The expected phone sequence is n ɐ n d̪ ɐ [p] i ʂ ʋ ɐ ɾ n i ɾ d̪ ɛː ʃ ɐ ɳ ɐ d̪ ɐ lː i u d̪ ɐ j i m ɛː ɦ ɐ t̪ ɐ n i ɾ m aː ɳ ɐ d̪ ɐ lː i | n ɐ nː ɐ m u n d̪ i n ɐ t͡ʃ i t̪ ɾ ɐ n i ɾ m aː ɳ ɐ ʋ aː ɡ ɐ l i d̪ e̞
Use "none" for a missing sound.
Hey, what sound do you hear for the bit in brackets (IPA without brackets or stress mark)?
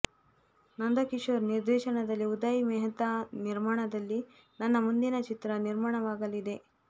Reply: k